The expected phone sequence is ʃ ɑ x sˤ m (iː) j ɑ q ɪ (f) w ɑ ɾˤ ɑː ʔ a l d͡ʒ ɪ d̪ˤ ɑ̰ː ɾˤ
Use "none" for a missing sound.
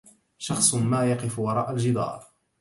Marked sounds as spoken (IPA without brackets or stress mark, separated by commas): aː, f